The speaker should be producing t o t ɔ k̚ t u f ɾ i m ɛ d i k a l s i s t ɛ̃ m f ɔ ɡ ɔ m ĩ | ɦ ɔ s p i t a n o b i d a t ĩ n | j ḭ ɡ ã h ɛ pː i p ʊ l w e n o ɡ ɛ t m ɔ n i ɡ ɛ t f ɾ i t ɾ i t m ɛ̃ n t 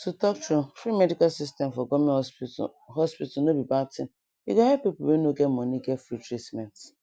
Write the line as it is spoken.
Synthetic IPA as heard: t u t ɔ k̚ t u f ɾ i m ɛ d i k a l s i s t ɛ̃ m f ɔ ɡ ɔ m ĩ | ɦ ɔ s p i t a n o b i b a t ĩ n | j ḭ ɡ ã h ɛ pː i p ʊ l w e n o ɡ ɛ t m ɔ n i ɡ ɛ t f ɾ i t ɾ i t m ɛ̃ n t